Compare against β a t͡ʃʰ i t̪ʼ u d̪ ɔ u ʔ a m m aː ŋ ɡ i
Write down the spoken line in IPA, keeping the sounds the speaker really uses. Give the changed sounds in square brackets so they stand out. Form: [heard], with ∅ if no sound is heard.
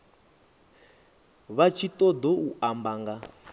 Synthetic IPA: β a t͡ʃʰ i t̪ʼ [ɔ] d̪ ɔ u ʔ a m [b] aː ŋ ɡ [a]